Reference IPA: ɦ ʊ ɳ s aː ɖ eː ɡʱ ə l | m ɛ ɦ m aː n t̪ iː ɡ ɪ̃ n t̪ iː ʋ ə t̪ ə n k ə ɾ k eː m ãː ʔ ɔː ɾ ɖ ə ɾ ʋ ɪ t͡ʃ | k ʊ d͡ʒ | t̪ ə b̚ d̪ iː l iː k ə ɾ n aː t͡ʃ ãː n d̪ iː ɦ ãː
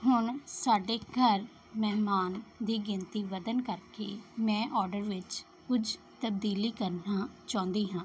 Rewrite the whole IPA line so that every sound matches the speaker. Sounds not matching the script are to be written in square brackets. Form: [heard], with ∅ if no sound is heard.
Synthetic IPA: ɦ ʊ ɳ s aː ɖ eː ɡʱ ə [ɾ] | m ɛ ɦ m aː n [d̪] iː ɡ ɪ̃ n t̪ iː ʋ ə [d̪] ə n k ə ɾ k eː m [ɛ̃ː] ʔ ɔː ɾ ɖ ə ɾ ʋ ɪ t͡ʃ | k ʊ d͡ʒ | t̪ ə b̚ d̪ iː l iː k ə ɾ n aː t͡ʃ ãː n d̪ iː ɦ ãː